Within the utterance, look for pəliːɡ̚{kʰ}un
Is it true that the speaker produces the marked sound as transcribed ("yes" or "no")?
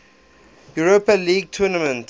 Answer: no